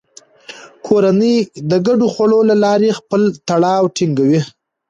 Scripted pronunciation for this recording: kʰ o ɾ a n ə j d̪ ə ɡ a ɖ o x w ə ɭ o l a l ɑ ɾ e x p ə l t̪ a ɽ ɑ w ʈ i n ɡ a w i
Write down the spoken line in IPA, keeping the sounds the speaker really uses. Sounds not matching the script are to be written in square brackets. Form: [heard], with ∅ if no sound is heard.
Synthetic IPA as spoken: kʰ o ɾ a n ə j d̪ ə ɡ a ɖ o x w [a] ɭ o l a l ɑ ɾ e x p ə l t̪ a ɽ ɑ w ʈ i [ŋ] ɡ a w i